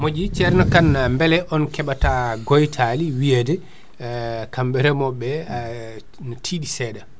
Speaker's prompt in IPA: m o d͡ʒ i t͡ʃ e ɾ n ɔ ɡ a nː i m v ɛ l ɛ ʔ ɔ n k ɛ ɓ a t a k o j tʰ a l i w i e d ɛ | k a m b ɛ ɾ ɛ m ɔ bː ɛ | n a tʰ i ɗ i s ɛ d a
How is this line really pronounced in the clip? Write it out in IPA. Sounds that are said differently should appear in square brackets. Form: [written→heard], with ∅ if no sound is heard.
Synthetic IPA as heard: m o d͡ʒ i t͡ʃ [e→ɛ] ɾ n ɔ [ɡ→k] a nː [i→a] m [v→b] ɛ l ɛ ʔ ɔ n k ɛ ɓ a t a [k→ɡ] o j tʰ a l i w i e d ɛ | k a m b ɛ ɾ ɛ m ɔ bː ɛ | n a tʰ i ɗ i s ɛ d a